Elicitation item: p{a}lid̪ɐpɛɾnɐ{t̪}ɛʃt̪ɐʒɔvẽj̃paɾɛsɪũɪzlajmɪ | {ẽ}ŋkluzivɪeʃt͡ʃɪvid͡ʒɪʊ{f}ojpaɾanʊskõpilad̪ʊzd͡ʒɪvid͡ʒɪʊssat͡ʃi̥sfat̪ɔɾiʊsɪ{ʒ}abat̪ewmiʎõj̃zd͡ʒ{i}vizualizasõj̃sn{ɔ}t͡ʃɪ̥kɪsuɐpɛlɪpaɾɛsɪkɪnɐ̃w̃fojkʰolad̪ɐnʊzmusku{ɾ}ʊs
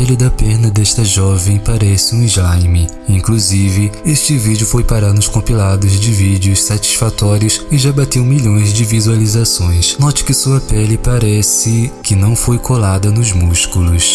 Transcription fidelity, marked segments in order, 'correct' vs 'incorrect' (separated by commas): incorrect, incorrect, incorrect, correct, correct, incorrect, correct, incorrect